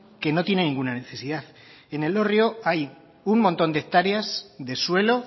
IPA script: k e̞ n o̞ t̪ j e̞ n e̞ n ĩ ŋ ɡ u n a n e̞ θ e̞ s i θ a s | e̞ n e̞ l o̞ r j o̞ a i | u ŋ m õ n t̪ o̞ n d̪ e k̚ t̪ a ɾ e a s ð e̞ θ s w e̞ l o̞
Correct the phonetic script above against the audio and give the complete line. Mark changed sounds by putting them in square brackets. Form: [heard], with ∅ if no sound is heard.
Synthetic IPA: k e̞ n o̞ t̪ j e̞ n e̞ n ĩ ŋ ɡ u n a n e̞ θ e̞ s i [ð] a [θ] | e̞ n e̞ l o̞ r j o̞ a [j] | u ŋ m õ n t̪ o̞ n d̪ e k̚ t̪ a ɾ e a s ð e̞ [∅] s w e̞ l o̞